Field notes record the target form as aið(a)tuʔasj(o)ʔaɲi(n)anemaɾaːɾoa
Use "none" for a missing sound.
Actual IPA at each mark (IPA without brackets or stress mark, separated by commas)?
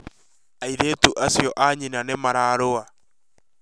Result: e, ɔ, n